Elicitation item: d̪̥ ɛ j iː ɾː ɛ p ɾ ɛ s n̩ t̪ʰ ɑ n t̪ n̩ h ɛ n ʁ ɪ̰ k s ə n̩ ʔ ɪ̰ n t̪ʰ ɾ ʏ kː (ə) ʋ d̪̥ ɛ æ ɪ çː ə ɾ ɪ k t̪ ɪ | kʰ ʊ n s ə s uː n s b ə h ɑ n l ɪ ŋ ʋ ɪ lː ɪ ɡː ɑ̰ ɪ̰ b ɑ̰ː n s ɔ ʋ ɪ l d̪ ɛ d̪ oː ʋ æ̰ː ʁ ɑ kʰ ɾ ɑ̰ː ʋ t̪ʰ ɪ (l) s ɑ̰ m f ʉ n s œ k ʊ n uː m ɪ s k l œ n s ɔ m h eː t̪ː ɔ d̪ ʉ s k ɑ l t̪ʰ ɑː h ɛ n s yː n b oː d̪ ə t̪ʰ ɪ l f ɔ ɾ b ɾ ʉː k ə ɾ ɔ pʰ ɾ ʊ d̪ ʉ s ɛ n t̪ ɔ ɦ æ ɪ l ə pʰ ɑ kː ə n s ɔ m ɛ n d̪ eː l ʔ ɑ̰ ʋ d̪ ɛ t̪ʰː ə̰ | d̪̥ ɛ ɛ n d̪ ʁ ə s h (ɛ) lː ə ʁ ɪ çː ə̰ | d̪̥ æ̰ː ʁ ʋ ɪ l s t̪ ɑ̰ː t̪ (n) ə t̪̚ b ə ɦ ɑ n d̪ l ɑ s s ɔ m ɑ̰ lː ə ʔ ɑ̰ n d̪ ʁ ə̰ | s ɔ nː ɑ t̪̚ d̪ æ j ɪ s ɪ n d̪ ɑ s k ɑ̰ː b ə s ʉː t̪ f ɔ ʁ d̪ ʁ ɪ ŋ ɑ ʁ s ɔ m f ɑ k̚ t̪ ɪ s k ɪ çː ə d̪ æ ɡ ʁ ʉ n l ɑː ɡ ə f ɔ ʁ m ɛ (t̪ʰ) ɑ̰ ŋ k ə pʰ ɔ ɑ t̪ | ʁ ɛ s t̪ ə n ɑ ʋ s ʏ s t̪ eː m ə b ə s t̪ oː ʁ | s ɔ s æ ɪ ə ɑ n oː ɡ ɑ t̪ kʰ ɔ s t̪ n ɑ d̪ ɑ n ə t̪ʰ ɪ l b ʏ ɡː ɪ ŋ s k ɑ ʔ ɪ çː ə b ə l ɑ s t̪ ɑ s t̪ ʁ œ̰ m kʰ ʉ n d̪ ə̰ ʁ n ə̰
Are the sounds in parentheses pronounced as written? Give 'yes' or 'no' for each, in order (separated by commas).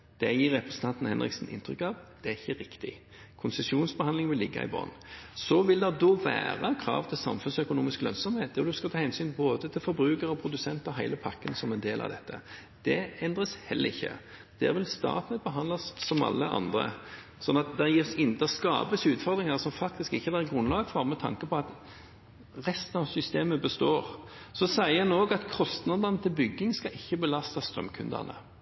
no, yes, yes, yes, yes